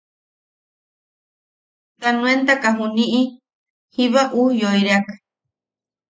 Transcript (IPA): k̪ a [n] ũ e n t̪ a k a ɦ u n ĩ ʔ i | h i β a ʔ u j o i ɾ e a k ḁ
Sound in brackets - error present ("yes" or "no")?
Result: no